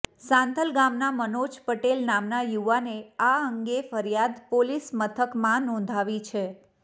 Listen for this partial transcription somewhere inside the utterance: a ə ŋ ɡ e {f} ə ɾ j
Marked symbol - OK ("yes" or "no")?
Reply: yes